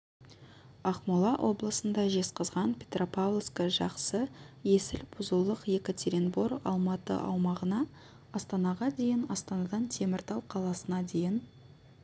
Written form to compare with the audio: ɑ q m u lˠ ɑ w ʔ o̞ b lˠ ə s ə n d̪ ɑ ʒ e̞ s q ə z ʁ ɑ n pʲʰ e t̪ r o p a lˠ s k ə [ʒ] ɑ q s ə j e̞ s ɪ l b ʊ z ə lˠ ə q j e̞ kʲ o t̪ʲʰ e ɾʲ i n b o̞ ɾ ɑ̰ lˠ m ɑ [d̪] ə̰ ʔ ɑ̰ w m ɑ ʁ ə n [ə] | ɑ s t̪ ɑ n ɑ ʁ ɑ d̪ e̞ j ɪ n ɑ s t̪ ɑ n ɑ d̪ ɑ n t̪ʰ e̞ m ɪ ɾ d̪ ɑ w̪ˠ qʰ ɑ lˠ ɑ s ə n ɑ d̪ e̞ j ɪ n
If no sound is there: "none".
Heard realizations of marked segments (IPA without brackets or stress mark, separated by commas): ʒ, t̪, ɑ